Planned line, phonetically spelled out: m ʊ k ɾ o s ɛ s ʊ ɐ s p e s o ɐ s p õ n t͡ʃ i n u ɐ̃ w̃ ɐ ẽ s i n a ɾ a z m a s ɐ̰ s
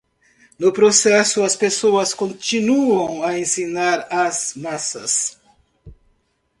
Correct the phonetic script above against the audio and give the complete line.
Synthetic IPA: n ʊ p ɾ o s ɛ s ʊ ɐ s p e s o ɐ s k õ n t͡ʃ i n u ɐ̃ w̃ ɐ ẽ s i n a ɾ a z m a s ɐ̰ s